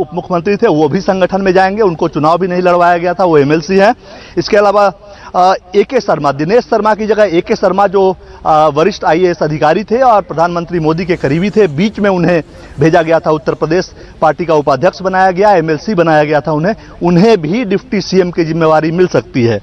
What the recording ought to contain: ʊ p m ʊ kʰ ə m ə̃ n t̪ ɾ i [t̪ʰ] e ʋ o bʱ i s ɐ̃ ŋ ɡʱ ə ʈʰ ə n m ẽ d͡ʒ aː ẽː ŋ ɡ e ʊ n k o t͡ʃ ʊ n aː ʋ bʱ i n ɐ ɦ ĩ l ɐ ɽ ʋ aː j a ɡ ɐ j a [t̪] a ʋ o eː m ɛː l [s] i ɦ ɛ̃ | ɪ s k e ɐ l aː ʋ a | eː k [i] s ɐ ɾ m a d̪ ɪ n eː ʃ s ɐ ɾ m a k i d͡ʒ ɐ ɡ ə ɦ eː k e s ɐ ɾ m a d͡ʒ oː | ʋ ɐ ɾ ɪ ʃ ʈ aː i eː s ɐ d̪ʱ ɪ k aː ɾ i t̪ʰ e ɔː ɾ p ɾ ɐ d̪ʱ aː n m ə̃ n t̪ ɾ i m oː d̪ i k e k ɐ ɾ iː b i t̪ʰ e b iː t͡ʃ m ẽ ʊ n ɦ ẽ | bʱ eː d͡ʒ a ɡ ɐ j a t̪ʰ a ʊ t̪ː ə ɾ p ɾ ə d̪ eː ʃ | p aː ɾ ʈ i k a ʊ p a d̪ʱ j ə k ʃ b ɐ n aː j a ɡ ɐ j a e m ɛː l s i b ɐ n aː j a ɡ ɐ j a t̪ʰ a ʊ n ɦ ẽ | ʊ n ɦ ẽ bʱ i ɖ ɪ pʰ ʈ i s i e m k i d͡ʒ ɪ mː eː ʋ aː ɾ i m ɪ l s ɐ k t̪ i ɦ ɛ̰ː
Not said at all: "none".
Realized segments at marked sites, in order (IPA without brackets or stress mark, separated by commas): t̪ʰ, t̪ʰ, s, e